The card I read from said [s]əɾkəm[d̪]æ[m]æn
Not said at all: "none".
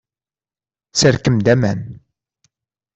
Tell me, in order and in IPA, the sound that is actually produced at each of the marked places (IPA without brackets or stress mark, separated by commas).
s, d̪, m